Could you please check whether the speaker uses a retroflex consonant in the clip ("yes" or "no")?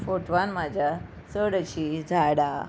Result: yes